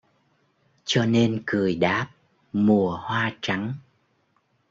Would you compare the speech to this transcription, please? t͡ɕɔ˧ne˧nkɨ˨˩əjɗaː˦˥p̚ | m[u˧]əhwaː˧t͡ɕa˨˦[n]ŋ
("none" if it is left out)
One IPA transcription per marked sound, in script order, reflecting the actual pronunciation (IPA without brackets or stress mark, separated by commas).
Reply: u˨˩, none